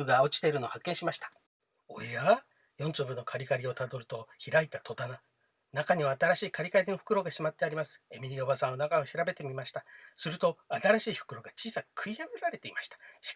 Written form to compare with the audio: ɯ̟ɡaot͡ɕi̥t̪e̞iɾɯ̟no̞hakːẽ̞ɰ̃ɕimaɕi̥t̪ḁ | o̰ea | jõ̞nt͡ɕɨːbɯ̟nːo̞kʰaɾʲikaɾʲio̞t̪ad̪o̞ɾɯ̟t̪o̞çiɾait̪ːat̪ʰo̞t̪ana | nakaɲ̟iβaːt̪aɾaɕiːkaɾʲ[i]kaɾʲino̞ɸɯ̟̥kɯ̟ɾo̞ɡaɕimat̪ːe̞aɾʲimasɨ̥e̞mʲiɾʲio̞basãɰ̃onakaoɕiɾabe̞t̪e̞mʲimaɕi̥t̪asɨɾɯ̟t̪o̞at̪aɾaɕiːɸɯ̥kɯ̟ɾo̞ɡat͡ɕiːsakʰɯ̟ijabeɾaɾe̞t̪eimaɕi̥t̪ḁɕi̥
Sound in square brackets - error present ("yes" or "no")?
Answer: no